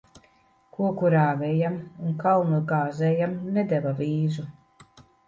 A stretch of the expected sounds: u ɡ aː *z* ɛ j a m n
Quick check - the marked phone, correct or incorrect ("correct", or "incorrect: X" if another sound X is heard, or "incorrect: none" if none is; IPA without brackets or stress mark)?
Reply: correct